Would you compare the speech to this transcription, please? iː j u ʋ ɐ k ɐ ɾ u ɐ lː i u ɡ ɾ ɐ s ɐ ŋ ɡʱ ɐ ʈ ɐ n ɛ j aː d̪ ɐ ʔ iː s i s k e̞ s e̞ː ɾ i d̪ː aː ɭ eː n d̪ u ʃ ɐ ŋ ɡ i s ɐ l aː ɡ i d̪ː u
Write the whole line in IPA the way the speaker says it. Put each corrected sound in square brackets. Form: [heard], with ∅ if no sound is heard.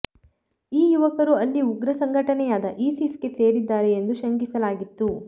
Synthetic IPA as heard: iː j u ʋ ɐ k ɐ ɾ u ɐ lː i u ɡ ɾ ɐ s ɐ ŋ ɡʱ ɐ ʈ ɐ n ɛ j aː d̪ ɐ ʔ iː s i s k e̞ s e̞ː ɾ i d̪ː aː [ɾ] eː n d̪ u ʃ ɐ ŋ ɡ i s ɐ l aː ɡ i [t̪ː] u